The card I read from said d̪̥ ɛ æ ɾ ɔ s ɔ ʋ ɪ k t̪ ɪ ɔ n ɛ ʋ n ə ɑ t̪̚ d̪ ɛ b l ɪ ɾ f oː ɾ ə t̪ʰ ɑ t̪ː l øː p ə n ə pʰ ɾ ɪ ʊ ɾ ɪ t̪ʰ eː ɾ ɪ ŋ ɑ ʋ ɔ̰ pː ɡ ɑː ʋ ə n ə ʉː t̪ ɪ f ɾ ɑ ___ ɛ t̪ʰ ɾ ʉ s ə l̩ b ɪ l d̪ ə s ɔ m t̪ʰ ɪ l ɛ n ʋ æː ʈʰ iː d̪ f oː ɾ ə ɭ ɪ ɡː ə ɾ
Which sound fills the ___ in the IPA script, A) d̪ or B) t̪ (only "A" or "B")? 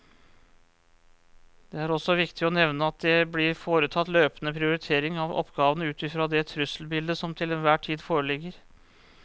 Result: A